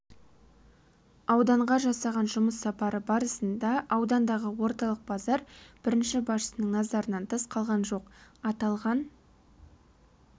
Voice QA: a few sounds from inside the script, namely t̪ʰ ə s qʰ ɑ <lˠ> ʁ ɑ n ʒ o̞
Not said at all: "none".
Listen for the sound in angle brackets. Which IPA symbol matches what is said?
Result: lˠ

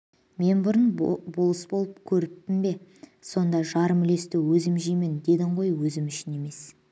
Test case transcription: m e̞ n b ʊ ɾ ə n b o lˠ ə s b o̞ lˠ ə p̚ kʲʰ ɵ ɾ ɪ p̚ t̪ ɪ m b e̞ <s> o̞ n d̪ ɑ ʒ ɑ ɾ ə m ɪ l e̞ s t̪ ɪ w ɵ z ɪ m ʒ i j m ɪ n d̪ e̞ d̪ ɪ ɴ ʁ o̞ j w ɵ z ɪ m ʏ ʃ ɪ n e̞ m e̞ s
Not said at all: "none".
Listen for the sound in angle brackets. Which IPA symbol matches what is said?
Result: s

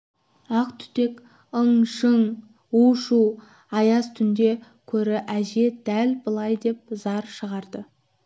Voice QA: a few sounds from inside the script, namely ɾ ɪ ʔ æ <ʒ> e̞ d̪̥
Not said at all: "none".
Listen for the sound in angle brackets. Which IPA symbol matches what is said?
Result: ʒ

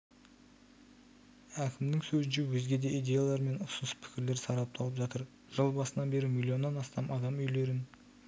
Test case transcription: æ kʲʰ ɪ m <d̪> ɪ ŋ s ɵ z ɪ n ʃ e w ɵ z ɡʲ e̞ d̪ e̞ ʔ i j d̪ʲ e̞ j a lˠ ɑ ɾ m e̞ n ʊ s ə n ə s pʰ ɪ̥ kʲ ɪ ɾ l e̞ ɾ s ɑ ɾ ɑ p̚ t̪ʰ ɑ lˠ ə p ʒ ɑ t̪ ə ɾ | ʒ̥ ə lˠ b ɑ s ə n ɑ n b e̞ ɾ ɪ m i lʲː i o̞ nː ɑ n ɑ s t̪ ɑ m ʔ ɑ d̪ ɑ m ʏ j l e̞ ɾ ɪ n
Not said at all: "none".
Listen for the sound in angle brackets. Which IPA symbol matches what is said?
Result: d̪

